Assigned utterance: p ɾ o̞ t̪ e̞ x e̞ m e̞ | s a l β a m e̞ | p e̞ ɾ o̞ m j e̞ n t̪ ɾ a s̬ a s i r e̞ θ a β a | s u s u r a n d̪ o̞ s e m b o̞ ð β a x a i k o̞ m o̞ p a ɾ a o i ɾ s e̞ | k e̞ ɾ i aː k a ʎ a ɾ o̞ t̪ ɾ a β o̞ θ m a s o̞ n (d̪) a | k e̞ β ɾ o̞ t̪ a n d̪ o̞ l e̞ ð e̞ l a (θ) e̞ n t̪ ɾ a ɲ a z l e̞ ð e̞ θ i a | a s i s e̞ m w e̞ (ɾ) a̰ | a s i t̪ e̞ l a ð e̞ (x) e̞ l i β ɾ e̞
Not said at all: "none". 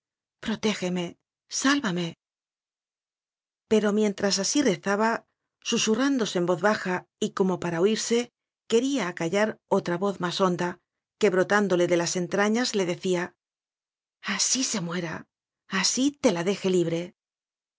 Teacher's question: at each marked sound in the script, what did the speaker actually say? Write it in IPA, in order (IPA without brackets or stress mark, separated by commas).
d̪, s, ɾ, x